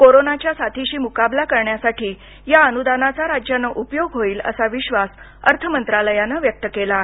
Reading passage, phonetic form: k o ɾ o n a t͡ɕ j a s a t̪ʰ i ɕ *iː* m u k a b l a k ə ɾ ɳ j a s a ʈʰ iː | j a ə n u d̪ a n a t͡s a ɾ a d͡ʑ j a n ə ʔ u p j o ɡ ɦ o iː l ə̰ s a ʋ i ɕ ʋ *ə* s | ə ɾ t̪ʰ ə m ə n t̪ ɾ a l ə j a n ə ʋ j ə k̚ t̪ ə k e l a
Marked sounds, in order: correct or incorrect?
correct, incorrect: a

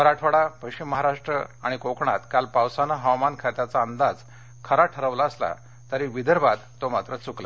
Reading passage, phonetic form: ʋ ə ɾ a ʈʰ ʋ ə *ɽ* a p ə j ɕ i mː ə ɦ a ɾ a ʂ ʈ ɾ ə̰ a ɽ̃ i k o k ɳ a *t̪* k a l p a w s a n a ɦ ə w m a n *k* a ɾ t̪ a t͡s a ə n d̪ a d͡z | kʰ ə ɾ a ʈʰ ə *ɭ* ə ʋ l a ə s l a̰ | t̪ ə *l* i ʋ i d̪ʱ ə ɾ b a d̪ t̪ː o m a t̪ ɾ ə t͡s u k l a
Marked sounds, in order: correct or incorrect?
correct, correct, incorrect: kʰ, incorrect: ɾ, incorrect: ɾ

